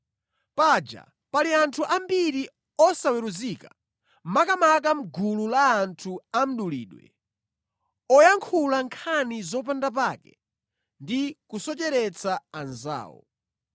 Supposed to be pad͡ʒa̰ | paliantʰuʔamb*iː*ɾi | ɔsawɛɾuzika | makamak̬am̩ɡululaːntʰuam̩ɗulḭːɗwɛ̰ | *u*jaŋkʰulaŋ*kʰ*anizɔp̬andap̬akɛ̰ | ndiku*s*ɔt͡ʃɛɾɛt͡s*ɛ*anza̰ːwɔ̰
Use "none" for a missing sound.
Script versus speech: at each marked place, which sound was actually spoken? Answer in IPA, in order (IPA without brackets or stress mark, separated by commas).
i, ɔ, kʰ, s, a